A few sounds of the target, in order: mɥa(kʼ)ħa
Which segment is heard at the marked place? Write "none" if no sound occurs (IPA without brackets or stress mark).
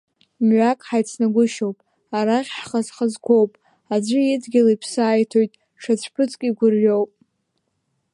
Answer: kʼ